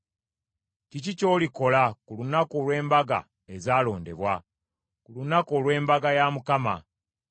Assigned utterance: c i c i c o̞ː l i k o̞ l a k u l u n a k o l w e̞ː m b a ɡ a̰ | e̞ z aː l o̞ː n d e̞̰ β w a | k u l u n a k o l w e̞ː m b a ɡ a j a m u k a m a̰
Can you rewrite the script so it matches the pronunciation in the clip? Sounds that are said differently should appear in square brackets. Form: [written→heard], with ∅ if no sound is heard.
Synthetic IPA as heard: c i c i c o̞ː l i k o̞ l a k u l u n a k o l w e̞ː m b a ɡ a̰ | e̞ z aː l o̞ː n d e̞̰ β w a | k u l u n a k o l w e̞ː m b a ɡ a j a m u k a m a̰